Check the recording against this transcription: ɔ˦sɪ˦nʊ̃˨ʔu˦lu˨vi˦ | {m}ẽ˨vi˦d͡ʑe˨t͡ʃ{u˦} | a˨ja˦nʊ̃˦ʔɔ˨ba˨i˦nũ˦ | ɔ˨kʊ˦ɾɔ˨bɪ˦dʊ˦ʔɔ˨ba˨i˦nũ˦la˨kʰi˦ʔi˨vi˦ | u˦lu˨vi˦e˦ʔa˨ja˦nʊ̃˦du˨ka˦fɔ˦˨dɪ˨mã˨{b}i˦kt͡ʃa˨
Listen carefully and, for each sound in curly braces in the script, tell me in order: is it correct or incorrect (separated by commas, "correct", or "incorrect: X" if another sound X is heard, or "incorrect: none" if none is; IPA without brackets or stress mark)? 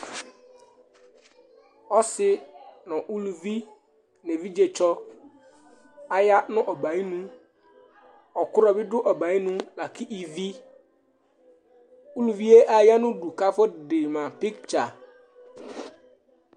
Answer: incorrect: n, incorrect: ɔ˦, incorrect: p